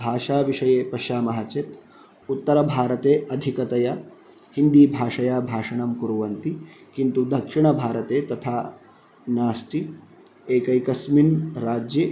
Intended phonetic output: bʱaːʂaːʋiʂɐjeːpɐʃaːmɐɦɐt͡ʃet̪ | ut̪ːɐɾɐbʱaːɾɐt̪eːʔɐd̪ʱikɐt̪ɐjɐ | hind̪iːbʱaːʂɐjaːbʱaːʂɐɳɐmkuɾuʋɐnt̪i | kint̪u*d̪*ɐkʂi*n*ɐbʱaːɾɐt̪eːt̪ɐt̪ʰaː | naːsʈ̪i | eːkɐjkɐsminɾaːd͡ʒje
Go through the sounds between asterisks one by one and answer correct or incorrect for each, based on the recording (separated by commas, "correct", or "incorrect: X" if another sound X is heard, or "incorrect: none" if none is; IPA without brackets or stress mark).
correct, incorrect: ɳ